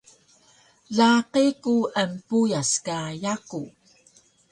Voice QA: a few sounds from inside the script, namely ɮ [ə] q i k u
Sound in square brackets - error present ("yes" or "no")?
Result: yes